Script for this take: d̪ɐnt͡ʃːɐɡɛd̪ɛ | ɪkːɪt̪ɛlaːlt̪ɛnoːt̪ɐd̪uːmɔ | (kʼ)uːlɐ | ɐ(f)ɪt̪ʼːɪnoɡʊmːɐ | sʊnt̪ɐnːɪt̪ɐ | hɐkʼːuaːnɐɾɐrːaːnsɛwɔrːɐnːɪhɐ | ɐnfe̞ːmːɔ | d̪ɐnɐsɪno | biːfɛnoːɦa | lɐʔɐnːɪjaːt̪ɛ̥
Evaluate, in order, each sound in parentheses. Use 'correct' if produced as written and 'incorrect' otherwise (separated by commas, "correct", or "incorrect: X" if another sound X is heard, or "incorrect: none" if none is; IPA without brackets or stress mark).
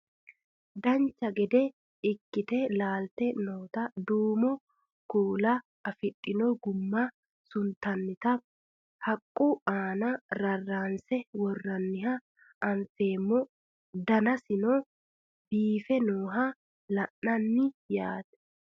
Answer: incorrect: k, correct